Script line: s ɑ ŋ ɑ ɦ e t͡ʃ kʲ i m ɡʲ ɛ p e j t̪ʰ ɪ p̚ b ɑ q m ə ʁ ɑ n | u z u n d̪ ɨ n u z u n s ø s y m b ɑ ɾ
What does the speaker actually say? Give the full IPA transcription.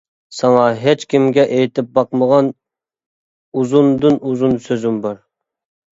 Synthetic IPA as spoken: s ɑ ŋ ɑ ɦ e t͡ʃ kʲ i m ɡʲ ɛ ʔ e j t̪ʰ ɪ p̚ b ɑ q m ə ʁ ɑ n | u z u n d̪ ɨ n u z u n s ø z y m b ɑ ɾ